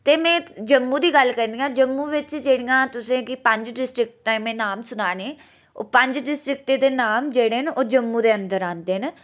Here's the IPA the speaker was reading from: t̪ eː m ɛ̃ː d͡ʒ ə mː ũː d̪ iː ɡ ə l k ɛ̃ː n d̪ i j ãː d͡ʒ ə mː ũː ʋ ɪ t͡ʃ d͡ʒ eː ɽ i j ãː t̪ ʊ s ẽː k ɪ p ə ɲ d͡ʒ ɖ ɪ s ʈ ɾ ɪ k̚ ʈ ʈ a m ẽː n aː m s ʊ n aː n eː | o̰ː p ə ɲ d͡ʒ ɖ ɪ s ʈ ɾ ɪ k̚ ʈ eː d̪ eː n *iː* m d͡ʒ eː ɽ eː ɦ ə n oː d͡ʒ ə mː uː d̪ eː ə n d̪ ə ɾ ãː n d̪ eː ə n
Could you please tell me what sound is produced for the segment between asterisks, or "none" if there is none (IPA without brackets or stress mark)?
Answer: aː